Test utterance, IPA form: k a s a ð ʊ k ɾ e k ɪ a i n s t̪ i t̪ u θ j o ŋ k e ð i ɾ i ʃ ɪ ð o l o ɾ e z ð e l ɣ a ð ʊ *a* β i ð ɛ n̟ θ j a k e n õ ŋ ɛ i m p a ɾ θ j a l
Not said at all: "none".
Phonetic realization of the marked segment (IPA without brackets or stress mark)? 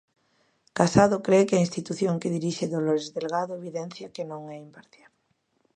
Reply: e